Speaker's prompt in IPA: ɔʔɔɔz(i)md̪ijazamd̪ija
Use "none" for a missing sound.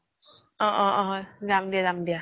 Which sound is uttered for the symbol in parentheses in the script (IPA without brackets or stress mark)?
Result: a